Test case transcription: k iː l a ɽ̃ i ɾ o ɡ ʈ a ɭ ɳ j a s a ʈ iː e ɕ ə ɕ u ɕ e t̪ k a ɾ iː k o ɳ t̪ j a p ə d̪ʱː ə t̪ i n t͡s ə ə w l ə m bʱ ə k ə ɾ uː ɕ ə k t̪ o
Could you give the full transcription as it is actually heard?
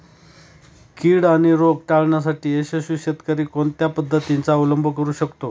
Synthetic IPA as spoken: k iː ɽ a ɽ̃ i ɾ o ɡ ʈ a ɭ ɳ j a s a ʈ iː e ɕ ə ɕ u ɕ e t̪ k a ɾ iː k o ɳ t̪ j a p ə d̪ʱː ə t̪ i n t͡s a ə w l ə m bʱ ə k ə ɾ uː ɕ ə k t̪ o

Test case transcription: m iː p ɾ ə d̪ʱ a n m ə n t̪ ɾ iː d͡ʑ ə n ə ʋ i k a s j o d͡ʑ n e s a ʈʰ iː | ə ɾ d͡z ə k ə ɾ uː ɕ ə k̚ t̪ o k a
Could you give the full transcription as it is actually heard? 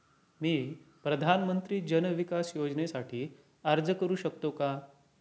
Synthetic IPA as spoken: m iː p ɾ ə d̪ʱ a n m ə n t̪ ɾ iː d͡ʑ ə n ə ʋ i k a s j o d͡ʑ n e s a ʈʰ iː | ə ɾ d͡z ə k ə ɾ uː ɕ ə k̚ t̪ o k a

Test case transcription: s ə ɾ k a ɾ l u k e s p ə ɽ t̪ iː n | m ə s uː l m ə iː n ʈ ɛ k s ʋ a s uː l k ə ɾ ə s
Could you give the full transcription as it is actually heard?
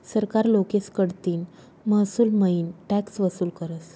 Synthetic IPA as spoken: s ə ɾ k a ɾ l o k e s k ə ɽ t̪ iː n | m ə s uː l m ə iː n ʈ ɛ k s ʋ ə s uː l k ə ɾ ə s

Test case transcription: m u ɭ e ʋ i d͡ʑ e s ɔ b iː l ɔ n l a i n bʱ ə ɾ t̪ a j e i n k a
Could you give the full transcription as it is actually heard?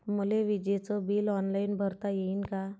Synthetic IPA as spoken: m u l e ʋ i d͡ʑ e t͡s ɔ b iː l ɔ n l a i n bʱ ə ɾ t̪ a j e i n k a

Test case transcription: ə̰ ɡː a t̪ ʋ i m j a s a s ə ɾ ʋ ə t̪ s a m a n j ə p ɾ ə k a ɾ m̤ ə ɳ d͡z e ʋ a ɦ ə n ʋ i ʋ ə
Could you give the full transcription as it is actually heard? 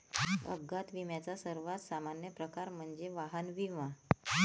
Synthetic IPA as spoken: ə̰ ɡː a t̪ ʋ i m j a t͡s a s ə ɾ ʋ a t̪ s a m a n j ə p ɾ ə k a ɾ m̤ ə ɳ d͡z e ʋ a ɦ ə n ʋ i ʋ a

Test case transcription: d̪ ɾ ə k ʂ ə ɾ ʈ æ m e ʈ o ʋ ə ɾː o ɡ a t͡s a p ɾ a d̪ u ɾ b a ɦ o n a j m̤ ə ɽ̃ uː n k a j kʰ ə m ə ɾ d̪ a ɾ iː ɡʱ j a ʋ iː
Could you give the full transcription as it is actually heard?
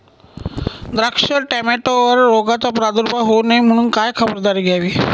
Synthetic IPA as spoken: d̪ ɾ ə k ʂ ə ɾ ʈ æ m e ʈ o ʋ ə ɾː o ɡ a t͡s a p ɾ a d̪ u ɾ b a ɦ o n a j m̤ ə ɽ̃ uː n k a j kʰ ə b ə ɾ d̪ a ɾ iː ɡʱ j a ʋ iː

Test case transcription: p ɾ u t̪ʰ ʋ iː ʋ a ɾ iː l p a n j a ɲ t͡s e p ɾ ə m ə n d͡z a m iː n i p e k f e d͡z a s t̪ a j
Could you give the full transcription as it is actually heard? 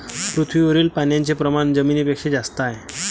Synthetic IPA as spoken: p ɾ u t̪ʰ ʋ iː ʋ ə ɾ iː l p a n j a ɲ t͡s e p ɾ ə m a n d͡z ə m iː n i p e k ʂ e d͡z a s t̪ a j

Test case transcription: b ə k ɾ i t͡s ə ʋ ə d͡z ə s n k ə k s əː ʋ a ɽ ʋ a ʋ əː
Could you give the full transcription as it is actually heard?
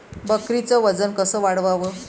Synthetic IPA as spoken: b ə k ɾ i t͡s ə ʋ ə d͡z ə n k ə s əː ʋ a ɽ ʋ a ʋ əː

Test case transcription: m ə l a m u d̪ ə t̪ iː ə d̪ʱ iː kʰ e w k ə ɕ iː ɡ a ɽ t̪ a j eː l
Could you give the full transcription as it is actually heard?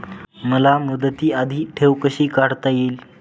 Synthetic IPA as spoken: m ə l a m u d̪ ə t̪ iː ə d̪ʱ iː ʈʰ e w k ə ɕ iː k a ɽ t̪ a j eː l

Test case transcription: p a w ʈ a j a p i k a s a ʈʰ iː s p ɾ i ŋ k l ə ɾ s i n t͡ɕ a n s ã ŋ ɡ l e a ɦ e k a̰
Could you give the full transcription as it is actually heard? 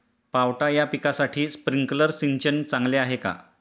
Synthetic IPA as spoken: p a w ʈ a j a p i k a s a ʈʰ iː s p ɾ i ŋ k l ə ɾ s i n t͡ɕ ə n t͡s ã ŋ ɡ l e a ɦ e k a̰

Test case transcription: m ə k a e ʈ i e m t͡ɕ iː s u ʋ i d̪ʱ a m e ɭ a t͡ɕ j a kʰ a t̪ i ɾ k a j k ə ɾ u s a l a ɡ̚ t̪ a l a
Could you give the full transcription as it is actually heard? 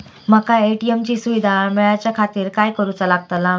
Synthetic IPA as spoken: m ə k a e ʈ i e m t͡ɕ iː s u ʋ i d̪ʱ a m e ɭ a t͡ɕ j a kʰ a t̪ iː ɾ k a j k ə ɾ u t͡s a l a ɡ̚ t̪ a l a

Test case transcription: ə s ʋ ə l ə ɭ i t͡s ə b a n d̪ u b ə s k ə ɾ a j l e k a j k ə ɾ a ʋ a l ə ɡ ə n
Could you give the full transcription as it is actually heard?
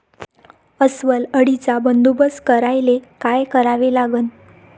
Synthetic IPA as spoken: ə s ʋ ə l ə ɽ i t͡s a b ə n d̪ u b ə s k ə ɾ a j l e k a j k ə ɾ a ʋ e l a ɡ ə n

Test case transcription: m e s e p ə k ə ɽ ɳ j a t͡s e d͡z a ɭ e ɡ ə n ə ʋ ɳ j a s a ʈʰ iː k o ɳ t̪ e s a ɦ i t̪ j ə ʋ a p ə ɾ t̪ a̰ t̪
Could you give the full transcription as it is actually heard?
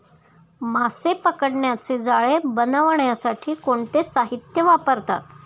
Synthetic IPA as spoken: m a s e p ə k ə ɽ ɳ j a t͡s e d͡z a ɭ e b ə n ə ʋ ɳ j a s a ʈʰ iː k o ɳ t̪ e s a ɦ i t̪ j ə ʋ a p ə ɾ t̪ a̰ t̪

